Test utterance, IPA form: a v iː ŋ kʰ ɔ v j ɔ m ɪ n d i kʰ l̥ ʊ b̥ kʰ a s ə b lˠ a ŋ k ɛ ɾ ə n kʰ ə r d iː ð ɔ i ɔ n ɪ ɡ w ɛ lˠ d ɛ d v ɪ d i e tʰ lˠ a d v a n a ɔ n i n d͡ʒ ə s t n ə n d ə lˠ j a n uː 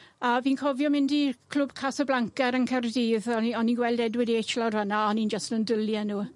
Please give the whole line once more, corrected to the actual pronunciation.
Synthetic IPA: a v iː n kʰ ɔ v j ɔ m ɪ n d i kʰ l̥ ʊ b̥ kʰ a s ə b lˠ a ŋ k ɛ ɾ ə n kʰ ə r d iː ð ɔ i ɔ n i ɡ w ɛ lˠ d ɛ d w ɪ d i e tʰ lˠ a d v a n a ɔ n i n d͡ʒ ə s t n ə n d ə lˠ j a n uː